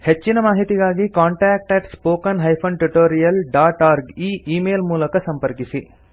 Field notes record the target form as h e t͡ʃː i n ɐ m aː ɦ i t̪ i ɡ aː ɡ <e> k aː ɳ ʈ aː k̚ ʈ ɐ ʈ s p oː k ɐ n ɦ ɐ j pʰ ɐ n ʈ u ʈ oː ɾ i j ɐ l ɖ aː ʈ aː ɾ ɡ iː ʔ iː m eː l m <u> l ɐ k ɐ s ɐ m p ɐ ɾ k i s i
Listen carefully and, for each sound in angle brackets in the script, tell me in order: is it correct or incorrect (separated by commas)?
incorrect, incorrect